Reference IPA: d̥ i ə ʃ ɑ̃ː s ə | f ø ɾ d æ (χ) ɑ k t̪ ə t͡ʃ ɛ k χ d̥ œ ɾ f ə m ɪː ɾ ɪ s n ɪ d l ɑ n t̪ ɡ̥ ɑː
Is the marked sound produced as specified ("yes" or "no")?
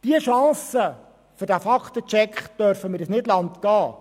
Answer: no